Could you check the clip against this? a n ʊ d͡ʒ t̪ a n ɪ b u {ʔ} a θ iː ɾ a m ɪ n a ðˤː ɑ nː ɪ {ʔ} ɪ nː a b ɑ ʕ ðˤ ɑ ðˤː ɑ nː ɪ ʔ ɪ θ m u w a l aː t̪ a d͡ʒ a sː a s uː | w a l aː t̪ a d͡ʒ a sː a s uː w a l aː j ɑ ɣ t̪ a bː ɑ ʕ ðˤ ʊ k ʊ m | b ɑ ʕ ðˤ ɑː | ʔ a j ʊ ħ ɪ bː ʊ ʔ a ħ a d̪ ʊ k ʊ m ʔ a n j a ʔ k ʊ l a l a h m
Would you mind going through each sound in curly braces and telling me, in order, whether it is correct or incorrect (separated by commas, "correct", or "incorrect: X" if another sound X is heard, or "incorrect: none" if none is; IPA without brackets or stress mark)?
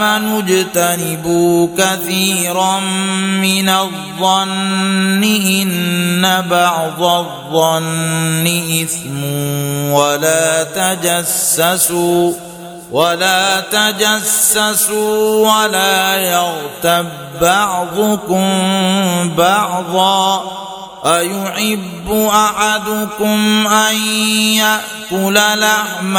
incorrect: k, correct